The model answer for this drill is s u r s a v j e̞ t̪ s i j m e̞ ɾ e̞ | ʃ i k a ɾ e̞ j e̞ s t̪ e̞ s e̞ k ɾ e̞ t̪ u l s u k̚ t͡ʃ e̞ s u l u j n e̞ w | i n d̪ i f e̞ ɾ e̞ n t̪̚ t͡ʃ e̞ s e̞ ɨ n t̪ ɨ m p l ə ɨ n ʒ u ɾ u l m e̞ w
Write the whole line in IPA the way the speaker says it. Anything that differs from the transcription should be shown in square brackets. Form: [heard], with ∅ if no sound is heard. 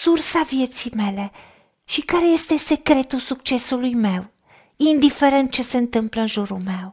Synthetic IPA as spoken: s u r s a v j e̞ t̪ s i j m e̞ [l] e̞ | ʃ i k a ɾ e̞ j e̞ s t̪ e̞ s e̞ k ɾ e̞ t̪ u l s u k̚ t͡ʃ e̞ s u l u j [m] e̞ w | i n d̪ i f e̞ ɾ e̞ n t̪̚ t͡ʃ e̞ s e̞ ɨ n t̪ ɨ m p l ə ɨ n ʒ u ɾ u l m e̞ w